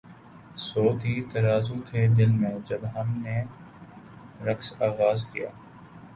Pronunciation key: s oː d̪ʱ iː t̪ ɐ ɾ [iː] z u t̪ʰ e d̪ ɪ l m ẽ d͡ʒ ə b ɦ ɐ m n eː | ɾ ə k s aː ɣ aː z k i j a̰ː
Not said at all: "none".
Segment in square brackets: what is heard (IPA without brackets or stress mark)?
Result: aː